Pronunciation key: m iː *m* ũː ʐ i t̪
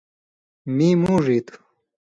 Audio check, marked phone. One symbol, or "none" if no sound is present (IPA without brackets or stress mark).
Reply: m